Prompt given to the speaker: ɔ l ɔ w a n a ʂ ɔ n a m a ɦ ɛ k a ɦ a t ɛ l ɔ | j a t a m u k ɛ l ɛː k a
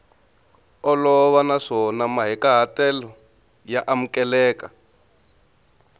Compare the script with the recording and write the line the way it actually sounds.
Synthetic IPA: ɔ l ɔ β a n a ʂ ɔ n a m a ɦ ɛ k a ɦ a t ɛ l ɔ | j a ʔ a m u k ɛ l ɛː k a